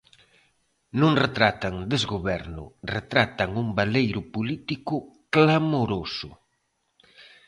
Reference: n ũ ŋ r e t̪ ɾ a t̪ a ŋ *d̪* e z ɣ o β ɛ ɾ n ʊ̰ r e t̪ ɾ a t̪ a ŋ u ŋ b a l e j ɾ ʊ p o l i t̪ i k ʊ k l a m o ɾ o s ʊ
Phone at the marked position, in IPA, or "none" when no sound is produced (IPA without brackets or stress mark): d̪